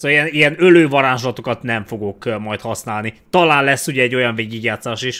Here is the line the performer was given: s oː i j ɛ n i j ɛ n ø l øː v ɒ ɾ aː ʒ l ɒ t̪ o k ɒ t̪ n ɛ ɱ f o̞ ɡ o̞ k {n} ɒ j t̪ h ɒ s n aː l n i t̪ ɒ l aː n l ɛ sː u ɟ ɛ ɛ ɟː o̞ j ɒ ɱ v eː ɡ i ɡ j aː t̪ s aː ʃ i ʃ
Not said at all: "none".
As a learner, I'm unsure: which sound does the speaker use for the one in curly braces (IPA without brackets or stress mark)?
m